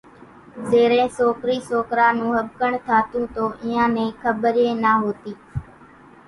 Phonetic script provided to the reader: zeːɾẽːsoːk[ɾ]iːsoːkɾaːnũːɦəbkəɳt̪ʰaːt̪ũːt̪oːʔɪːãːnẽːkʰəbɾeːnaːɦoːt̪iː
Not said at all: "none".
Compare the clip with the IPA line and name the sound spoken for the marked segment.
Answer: ɾ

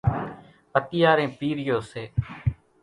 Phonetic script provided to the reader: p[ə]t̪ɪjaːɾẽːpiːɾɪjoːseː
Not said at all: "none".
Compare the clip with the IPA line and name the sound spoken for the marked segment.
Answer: ə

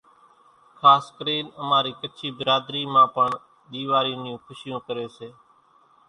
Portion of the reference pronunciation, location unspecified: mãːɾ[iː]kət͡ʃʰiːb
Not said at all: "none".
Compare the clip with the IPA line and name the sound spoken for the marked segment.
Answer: iː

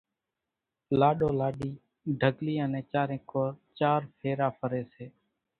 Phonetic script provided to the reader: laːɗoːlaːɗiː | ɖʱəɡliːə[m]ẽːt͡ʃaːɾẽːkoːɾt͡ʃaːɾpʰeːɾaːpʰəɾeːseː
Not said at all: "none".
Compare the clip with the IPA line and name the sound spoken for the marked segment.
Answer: n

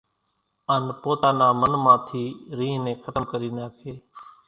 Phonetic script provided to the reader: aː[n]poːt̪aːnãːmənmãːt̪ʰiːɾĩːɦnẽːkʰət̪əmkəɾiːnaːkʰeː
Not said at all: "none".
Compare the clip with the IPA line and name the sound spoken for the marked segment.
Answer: n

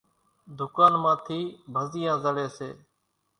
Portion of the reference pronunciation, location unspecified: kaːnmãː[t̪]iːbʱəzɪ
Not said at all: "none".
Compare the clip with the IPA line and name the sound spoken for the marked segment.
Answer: t̪ʰ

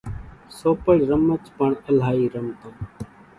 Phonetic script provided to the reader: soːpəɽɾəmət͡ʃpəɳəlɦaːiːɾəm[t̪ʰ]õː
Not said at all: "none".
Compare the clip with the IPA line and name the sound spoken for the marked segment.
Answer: t̪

